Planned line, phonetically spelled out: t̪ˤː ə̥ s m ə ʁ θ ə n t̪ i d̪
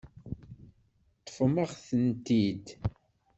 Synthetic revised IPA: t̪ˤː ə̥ f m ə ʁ θ ə n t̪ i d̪